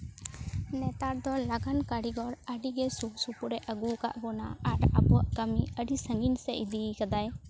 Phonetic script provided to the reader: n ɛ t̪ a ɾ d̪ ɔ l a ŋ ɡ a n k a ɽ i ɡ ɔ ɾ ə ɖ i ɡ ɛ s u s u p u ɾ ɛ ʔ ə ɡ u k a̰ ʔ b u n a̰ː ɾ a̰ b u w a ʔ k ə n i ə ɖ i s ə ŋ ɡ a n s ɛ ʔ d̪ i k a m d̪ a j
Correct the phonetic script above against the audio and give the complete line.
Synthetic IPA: n ɛ t̪ a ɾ d̪ ɔ l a ɡ a n k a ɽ i ɡ ɔ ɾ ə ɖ i ɡ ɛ s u s u p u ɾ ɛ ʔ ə ɡ u k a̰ ʔ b ɔ n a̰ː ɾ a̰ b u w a ʔ k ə m i ə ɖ i s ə ŋ ɡ i n s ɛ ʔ d̪ i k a d̪ a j